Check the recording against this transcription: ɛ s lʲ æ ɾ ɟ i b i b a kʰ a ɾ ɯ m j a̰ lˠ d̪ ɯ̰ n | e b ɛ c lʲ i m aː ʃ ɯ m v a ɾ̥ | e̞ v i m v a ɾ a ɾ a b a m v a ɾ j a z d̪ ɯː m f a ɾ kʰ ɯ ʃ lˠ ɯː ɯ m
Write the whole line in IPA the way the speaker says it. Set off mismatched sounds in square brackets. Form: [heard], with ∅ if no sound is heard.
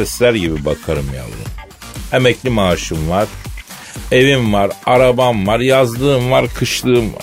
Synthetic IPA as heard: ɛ s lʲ æ ɾ ɟ i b i b a kʰ a ɾ ɯ m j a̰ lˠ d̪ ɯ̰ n | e [m] ɛ c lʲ i m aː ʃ ɯ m v a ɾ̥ | e̞ v i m v a ɾ a ɾ a b a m v a ɾ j a z d̪ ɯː m [v] a ɾ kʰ ɯ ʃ lˠ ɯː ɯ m